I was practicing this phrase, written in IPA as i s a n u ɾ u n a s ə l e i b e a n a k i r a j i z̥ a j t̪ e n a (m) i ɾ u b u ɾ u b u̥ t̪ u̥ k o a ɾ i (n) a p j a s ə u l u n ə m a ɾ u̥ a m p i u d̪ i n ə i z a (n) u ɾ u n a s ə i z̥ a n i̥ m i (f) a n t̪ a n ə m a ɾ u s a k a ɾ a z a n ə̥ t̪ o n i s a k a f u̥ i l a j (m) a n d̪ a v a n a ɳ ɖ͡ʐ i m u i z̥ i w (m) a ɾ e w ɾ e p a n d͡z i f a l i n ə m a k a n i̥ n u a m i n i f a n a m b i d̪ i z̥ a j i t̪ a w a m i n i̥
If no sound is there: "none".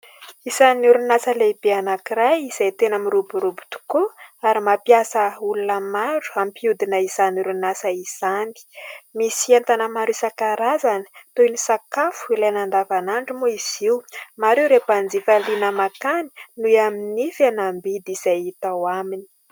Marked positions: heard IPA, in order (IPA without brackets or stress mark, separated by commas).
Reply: m, m, n, s, n, m